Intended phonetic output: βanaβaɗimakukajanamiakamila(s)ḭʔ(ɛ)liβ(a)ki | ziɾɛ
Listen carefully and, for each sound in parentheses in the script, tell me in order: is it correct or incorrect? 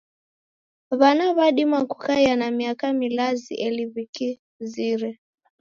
incorrect: z, correct, incorrect: i

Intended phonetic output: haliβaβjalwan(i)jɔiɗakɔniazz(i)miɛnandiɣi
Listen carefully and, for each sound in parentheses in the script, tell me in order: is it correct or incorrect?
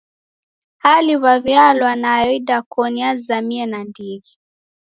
incorrect: a, incorrect: a

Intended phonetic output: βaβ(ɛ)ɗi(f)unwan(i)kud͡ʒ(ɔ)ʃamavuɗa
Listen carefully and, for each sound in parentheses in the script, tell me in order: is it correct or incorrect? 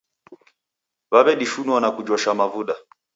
correct, incorrect: ʃ, incorrect: a, correct

